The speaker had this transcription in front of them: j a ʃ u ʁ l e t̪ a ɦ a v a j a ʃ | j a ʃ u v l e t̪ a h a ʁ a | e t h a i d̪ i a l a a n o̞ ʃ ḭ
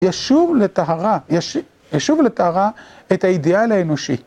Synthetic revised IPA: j a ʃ u v l e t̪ a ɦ a ʁ a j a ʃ | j a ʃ u v l e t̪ a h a ʁ a | e t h a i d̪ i a l a e n o̞ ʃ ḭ